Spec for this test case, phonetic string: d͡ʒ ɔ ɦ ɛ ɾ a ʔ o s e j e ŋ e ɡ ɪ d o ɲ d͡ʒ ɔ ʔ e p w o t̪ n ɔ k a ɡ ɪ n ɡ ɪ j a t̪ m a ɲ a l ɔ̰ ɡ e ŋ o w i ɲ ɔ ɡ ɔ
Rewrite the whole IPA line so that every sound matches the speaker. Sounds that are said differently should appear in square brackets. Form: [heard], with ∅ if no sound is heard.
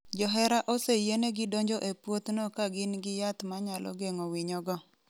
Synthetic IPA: d͡ʒ ɔ ɦ ɛ ɾ a ʔ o s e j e [n] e ɡ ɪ d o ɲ d͡ʒ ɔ ʔ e p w o t̪ n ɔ k a ɡ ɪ n ɡ ɪ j a t̪ m a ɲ a l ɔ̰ ɡ e ŋ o w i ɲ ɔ ɡ ɔ